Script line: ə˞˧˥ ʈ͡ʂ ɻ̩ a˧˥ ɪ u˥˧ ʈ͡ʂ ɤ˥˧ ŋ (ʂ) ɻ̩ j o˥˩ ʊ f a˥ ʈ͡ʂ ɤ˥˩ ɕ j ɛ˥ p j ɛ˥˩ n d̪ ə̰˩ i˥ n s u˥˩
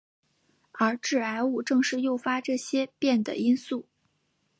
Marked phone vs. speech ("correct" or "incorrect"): correct